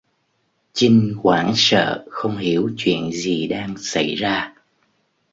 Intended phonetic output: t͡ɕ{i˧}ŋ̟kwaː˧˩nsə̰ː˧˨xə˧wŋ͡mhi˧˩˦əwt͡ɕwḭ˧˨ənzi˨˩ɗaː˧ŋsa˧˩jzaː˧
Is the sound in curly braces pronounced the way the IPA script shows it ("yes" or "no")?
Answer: yes